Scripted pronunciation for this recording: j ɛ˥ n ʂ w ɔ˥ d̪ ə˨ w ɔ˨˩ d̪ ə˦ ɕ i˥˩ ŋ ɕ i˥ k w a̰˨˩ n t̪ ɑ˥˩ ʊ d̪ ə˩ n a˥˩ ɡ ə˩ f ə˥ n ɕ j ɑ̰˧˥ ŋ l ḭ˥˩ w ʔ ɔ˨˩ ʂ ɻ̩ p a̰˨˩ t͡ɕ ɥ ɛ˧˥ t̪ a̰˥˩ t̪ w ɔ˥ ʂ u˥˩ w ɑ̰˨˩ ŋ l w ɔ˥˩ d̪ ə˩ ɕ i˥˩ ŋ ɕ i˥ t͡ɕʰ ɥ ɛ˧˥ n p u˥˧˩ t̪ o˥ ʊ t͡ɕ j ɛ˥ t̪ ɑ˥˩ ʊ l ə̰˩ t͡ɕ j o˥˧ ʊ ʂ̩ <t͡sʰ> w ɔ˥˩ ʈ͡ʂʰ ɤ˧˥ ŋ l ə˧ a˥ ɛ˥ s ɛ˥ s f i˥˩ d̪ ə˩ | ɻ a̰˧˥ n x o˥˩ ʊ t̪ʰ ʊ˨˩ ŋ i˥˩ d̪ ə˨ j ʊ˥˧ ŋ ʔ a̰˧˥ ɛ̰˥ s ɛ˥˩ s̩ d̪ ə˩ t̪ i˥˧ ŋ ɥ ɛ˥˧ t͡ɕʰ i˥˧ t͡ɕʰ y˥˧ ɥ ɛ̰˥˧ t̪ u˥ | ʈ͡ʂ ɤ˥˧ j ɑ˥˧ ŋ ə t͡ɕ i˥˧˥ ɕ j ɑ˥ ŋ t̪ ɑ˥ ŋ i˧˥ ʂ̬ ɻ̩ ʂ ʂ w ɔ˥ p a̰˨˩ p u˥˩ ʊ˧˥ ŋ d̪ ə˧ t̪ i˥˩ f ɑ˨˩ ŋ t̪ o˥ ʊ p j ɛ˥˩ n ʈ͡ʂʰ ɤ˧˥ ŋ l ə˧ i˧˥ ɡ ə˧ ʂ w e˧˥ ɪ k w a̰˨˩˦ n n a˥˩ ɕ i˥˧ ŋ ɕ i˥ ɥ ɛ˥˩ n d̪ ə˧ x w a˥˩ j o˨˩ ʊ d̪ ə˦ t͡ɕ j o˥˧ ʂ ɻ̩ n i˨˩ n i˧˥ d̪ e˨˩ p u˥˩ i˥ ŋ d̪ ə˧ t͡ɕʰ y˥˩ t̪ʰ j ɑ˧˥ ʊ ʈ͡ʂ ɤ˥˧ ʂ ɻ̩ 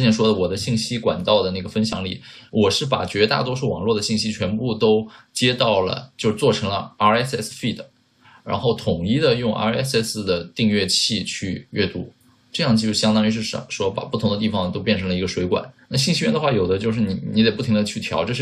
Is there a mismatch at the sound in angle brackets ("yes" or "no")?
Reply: yes